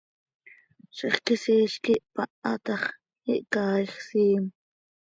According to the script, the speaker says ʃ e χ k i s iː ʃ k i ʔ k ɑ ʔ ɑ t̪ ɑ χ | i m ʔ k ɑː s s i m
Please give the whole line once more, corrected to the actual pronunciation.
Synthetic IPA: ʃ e χ k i s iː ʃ k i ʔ p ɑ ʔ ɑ t̪ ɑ χ | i ʔ k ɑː χ s iː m